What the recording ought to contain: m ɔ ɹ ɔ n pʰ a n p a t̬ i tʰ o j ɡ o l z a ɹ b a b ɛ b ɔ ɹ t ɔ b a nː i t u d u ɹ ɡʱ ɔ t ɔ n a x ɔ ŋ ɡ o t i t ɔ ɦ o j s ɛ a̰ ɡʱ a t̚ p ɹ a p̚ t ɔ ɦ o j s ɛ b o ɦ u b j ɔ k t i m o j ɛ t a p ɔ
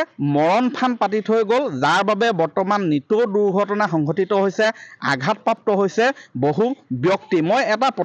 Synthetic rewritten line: m ɔ ɹ ɔ n pʰ a n p a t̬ i tʰ o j ɡ o l z a ɹ b a b ɛ b ɔ ɹ t ɔ m a nː i t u d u ɹ ɡʱ ɔ t ɔ n a x ɔ ŋ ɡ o t i t ɔ ɦ o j s ɛ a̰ ɡʱ a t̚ p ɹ a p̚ t ɔ ɦ o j s ɛ b o ɦ u b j ɔ k t i m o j ɛ t a p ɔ

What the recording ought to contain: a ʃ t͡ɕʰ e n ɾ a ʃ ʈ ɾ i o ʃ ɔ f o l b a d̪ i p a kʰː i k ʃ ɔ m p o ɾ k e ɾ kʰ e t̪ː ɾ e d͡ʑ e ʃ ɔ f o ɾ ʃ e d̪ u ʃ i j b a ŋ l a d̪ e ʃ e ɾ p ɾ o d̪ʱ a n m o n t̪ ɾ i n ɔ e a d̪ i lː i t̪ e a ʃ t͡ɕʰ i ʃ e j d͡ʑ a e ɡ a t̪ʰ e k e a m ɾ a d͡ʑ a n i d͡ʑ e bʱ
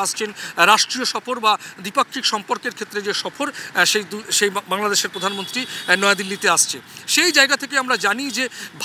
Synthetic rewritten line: a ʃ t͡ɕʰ e n ɾ a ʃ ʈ ɾ i o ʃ ɔ f o ɾ b a d̪ i p a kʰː i k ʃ ɔ m p o ɾ k e ɾ kʰ e t̪ː ɾ e d͡ʑ e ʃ ɔ f o ɾ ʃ e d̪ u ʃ e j b a ŋ l a d̪ e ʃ e ɾ p ɾ o d̪ʱ a n m o n t̪ ɾ i n ɔ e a d̪ i lː i t̪ e a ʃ t͡ɕʰ e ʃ e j d͡ʑ a e ɡ a t̪ʰ e k e a m ɾ a d͡ʑ a n i d͡ʑ e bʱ

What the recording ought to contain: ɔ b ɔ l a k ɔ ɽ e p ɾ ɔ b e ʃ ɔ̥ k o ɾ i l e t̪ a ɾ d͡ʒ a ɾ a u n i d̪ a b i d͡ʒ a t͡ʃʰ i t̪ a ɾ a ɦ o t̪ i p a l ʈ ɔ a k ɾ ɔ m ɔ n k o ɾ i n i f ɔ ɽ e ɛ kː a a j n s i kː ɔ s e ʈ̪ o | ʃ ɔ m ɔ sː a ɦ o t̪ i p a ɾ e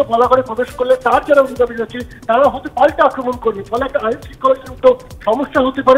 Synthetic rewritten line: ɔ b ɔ l a k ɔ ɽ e p ɾ ɔ b e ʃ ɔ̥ k o ɾ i l e t̪ a ɾ d͡ʒ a ɾ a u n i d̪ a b i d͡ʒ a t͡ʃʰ i t̪ a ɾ a ɦ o t̪ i p a l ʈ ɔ a k ɾ ɔ m ɔ n k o ɾ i n i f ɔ l e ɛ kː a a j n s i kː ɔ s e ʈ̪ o | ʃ ɔ m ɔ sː a ɦ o t̪ i p a ɾ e

